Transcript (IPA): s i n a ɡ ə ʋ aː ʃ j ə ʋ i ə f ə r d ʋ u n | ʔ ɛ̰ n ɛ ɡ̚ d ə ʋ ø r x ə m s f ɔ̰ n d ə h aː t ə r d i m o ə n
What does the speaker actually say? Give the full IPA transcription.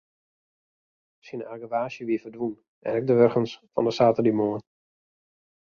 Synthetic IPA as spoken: s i n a ɡ ə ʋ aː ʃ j ə ʋ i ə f ə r d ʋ u n | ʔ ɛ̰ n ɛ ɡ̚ d ə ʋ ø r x ə n s f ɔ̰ n d ə s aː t ə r d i m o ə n